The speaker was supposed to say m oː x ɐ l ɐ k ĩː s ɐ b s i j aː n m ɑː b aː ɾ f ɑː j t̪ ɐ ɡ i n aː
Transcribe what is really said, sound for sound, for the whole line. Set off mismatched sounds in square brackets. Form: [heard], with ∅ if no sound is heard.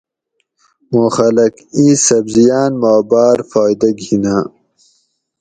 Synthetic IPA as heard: m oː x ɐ l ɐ k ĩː s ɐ b [z] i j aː n m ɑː b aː ɾ f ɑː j [d̪] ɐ ɡ i n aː